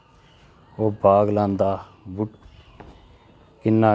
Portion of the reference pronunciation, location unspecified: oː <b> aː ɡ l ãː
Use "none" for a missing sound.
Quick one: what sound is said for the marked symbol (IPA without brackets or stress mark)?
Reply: b